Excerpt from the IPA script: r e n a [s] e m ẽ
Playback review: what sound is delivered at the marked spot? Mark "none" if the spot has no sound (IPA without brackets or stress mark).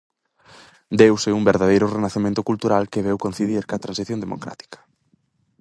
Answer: θ